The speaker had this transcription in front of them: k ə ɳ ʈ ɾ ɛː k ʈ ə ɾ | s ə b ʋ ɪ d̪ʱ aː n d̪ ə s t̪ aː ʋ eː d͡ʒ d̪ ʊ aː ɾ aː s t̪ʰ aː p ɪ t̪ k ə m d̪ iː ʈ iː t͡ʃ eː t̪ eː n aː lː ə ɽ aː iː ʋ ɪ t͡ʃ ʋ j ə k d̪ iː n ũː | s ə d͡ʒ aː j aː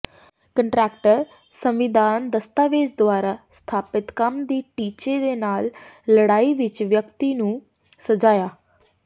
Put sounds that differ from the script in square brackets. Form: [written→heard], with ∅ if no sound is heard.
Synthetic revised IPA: k ə ɳ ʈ ɾ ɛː k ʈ ə ɾ | s ə [b→m] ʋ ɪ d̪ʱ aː n d̪ ə s t̪ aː ʋ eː d͡ʒ d̪ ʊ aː ɾ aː s t̪ʰ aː p ɪ t̪ k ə m d̪ iː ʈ iː t͡ʃ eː [t̪→d̪] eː n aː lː ə ɽ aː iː ʋ ɪ t͡ʃ ʋ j ə k [d̪→t̪] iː n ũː | s ə d͡ʒ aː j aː